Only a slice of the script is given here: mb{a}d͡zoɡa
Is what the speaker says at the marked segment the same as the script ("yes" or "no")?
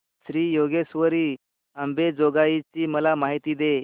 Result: no